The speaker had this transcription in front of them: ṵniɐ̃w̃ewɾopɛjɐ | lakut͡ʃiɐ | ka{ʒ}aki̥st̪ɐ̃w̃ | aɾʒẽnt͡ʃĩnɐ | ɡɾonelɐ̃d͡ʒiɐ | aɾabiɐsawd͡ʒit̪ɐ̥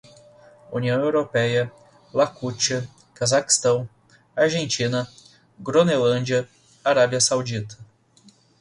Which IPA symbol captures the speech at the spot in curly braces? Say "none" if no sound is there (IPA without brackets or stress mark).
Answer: z